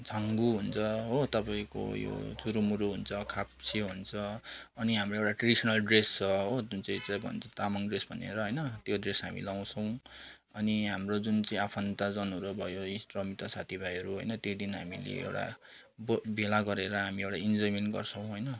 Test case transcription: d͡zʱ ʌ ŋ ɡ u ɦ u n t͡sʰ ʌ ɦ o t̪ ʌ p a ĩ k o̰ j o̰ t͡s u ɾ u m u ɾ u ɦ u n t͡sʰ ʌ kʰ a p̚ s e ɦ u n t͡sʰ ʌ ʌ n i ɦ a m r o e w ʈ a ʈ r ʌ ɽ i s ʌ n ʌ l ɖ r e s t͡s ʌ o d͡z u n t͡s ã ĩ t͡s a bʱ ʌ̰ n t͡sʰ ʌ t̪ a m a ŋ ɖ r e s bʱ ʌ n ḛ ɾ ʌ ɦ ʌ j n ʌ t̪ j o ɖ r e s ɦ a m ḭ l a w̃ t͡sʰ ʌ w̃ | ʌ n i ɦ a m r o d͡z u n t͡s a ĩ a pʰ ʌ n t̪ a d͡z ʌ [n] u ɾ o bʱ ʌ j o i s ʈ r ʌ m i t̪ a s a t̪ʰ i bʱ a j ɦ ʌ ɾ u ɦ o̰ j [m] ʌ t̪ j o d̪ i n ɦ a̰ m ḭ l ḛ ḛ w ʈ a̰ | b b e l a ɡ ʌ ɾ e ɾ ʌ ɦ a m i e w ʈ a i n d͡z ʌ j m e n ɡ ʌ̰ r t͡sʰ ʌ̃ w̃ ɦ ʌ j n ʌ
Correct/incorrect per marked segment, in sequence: correct, incorrect: n

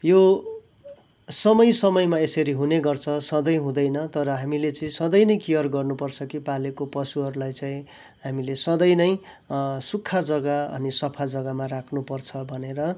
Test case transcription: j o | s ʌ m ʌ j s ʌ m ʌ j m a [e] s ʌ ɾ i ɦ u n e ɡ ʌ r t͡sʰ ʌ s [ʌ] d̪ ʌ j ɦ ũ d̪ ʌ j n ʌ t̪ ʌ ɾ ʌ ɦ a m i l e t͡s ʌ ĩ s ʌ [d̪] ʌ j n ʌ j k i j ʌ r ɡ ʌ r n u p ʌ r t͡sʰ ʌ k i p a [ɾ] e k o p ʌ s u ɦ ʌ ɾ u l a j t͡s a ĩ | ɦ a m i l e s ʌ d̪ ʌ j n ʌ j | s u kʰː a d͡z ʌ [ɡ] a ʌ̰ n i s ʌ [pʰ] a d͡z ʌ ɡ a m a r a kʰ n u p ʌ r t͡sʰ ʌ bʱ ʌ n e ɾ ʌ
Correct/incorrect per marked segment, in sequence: correct, correct, correct, incorrect: l, correct, correct

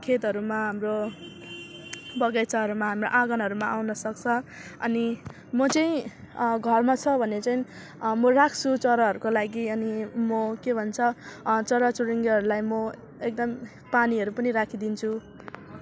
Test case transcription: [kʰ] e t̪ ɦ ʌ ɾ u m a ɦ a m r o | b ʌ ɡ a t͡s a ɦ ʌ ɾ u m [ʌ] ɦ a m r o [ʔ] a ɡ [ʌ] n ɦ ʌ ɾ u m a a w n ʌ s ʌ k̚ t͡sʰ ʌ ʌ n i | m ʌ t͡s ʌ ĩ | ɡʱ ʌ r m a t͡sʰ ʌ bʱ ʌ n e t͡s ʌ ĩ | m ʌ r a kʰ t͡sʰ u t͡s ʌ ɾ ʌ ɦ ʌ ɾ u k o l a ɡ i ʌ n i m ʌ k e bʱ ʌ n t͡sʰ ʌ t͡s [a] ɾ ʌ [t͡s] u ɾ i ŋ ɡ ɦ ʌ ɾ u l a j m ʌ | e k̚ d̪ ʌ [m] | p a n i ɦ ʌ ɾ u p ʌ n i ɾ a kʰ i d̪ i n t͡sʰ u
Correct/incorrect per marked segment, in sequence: correct, incorrect: a, correct, correct, incorrect: ʌ, correct, correct

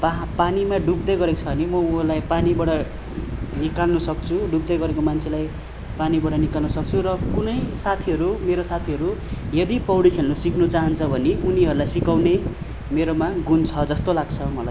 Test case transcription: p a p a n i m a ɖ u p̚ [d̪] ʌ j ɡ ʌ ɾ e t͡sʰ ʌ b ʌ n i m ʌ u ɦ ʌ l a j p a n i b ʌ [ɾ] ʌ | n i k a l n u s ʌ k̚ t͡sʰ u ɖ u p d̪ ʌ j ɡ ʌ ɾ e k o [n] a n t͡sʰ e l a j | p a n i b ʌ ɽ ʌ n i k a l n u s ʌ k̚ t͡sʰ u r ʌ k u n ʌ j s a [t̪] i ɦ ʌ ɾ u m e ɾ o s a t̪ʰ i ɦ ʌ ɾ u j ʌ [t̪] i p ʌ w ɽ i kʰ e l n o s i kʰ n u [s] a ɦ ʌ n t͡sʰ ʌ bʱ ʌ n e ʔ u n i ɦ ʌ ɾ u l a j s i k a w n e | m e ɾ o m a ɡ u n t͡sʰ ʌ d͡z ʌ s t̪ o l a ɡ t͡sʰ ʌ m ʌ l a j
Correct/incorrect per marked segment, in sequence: correct, incorrect: ɽ, incorrect: m, incorrect: t̪ʰ, incorrect: d̪, incorrect: t͡s

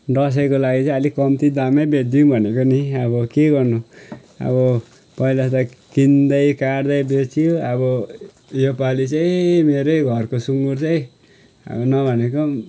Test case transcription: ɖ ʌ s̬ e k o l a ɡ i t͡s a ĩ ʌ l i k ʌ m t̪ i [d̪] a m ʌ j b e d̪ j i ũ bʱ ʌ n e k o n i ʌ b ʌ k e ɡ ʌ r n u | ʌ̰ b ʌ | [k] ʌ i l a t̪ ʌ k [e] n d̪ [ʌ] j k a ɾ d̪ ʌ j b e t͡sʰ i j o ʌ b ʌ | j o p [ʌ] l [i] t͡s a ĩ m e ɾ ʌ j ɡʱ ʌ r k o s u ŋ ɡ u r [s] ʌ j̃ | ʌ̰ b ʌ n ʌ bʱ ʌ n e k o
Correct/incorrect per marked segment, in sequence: correct, incorrect: p, incorrect: i, correct, incorrect: a, correct, incorrect: t͡s

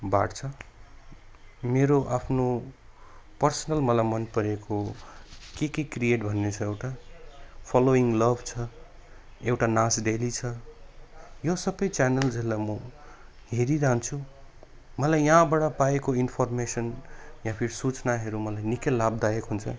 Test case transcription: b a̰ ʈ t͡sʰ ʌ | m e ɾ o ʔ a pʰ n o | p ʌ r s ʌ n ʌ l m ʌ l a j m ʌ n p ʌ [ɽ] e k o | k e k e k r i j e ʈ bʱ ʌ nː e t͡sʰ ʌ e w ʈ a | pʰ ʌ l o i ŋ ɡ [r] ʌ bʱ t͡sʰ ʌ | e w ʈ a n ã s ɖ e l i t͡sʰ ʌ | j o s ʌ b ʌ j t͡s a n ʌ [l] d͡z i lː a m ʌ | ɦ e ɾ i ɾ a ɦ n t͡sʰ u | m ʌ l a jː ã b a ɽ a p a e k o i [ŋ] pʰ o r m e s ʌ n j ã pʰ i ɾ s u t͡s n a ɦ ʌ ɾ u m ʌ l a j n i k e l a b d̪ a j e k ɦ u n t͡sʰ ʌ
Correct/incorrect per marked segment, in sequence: incorrect: ɾ, incorrect: l, correct, incorrect: n

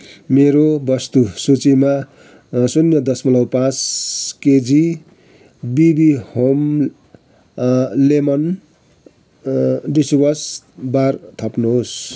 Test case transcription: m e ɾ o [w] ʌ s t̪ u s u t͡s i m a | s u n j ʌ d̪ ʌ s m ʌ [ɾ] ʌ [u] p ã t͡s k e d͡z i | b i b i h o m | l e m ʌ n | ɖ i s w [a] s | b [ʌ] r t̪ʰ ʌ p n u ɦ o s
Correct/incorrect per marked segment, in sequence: incorrect: b, incorrect: l, incorrect: w, incorrect: ʌ, incorrect: a

